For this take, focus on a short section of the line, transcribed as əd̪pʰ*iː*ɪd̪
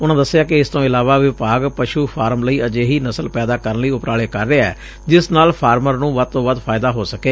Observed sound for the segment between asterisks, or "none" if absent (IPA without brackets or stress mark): aː